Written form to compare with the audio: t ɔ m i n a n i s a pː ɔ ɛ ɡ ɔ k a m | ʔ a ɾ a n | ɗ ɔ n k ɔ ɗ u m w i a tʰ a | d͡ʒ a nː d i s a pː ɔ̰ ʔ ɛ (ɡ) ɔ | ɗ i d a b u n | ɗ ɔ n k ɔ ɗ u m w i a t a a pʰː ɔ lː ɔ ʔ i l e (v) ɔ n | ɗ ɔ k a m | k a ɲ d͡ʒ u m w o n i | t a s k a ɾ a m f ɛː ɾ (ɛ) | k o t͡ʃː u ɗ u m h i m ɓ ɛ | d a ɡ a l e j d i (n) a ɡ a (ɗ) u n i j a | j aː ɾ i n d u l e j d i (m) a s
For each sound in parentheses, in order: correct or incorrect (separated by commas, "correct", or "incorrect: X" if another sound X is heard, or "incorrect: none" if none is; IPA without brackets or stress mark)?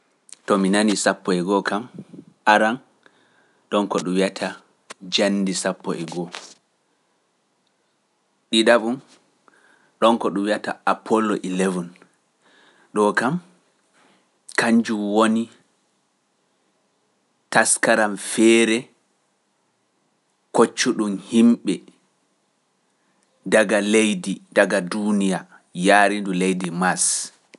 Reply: correct, correct, correct, incorrect: d, incorrect: d, correct